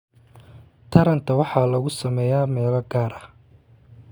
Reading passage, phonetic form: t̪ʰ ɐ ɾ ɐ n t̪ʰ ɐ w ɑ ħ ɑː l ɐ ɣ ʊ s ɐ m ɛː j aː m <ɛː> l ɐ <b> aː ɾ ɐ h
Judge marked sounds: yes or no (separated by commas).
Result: yes, no